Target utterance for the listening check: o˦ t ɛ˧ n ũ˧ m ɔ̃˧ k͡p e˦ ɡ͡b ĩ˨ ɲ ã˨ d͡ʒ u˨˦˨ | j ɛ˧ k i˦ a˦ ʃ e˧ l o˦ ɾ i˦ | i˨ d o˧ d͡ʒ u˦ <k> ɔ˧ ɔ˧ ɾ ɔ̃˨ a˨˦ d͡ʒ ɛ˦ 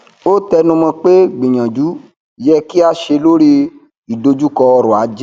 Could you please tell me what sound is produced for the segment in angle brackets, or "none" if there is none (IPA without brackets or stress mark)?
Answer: k